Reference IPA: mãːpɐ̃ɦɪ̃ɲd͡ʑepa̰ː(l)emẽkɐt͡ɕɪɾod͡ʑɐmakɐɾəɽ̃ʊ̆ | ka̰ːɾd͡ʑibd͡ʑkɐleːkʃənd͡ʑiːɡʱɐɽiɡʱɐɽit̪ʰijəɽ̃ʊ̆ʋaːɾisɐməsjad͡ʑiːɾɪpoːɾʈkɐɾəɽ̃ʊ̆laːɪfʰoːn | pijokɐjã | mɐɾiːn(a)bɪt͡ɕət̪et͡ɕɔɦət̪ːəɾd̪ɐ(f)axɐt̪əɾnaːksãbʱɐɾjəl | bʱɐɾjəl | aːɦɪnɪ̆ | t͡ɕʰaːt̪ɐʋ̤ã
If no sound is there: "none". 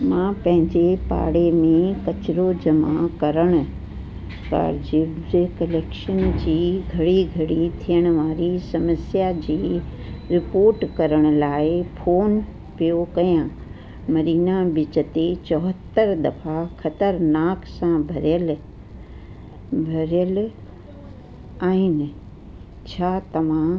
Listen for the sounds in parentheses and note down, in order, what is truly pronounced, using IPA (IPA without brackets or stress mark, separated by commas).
ɽ, a, f